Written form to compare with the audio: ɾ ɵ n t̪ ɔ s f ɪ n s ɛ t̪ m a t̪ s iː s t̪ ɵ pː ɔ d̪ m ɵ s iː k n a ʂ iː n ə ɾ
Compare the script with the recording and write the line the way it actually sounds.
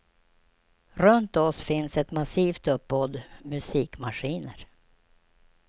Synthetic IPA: ɾ ɵ n t̪ ɔ s f ɪ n s ɛ t̪ m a s iː f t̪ ɵ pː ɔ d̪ m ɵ s iː k m a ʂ iː n ə ɾ